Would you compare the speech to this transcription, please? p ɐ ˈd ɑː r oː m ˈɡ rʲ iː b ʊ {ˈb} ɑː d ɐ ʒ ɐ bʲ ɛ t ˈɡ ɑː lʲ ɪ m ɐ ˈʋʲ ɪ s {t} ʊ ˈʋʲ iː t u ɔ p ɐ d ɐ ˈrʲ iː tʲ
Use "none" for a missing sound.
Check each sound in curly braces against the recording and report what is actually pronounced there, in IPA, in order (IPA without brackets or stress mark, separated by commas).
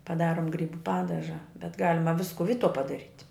p, k